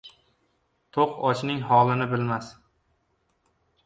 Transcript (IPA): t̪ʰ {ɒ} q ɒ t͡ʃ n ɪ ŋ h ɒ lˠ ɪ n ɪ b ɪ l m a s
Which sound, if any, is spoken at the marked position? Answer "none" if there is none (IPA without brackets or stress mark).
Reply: o